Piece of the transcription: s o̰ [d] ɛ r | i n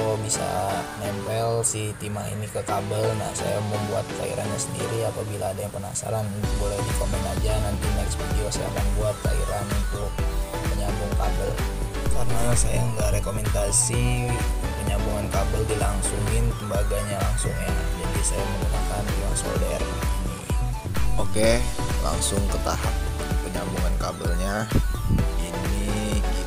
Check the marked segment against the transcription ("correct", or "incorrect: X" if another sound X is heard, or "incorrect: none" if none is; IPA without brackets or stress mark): correct